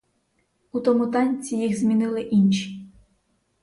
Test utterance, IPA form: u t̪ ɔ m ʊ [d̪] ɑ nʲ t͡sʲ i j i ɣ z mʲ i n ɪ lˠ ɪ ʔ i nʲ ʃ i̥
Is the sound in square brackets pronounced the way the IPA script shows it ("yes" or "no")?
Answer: no